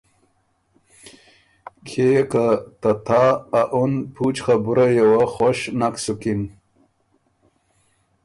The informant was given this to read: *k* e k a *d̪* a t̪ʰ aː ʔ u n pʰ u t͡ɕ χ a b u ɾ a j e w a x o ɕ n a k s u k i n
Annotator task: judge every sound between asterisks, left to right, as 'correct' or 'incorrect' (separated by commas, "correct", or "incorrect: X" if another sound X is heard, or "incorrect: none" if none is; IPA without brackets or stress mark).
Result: incorrect: kʰ, incorrect: t̪